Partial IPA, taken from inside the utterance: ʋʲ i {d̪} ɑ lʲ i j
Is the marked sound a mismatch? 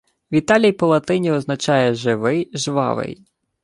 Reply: yes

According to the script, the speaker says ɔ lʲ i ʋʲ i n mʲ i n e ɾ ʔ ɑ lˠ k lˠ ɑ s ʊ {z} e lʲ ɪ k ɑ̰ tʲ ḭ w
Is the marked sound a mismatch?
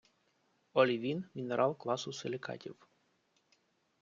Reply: yes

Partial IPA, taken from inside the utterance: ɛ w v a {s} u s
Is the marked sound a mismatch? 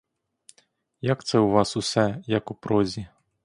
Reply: no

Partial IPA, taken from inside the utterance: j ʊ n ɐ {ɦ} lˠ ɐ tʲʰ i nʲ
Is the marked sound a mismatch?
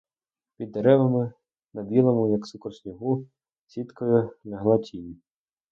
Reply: no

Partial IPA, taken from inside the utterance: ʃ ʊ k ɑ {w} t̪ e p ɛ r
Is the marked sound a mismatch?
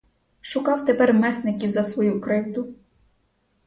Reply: no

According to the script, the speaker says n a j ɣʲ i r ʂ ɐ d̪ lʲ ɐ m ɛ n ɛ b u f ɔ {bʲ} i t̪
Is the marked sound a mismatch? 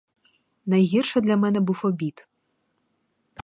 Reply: no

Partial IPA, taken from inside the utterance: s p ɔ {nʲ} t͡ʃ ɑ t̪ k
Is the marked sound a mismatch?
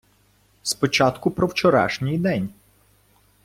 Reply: yes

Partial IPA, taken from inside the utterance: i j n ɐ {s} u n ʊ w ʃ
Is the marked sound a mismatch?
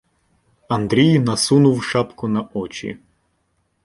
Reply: no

